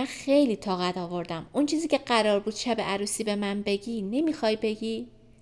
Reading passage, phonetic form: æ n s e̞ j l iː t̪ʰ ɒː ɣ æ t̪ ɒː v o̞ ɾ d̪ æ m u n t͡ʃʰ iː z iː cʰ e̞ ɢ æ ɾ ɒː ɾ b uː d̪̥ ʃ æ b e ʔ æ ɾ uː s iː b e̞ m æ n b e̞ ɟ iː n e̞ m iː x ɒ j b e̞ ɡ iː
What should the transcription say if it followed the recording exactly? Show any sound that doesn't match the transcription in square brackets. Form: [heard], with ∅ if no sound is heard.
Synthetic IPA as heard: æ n [x] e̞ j l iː t̪ʰ ɒː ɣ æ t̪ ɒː v o̞ ɾ d̪ æ m u n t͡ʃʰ iː z iː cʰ e̞ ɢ æ ɾ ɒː ɾ b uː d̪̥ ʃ æ b e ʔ æ ɾ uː s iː b e̞ m æ n b e̞ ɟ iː n e̞ m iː x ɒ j b e̞ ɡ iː